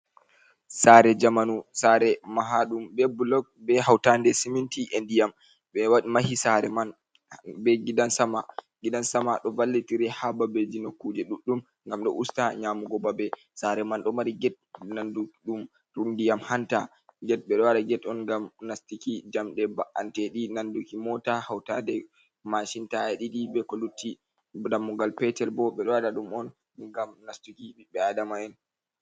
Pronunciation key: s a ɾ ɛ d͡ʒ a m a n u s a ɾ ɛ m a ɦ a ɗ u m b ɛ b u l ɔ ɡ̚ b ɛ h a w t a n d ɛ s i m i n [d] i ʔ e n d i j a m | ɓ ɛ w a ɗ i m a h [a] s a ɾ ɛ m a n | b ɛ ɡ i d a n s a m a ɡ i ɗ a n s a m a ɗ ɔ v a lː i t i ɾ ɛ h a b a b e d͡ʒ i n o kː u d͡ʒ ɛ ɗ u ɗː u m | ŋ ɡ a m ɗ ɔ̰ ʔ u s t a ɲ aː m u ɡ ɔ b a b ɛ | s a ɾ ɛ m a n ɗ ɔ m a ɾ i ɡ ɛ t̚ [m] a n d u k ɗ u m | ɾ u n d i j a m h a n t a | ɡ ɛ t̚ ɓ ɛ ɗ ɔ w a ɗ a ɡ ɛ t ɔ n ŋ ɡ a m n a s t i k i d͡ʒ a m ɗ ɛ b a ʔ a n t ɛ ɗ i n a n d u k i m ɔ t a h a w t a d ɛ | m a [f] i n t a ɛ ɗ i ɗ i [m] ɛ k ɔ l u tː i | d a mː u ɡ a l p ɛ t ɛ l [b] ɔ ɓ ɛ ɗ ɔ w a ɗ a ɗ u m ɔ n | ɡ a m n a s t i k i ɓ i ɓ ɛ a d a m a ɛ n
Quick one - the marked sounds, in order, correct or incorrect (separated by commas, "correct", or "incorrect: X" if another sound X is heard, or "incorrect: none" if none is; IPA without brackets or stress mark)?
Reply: incorrect: t, incorrect: i, incorrect: n, incorrect: ʃ, incorrect: b, correct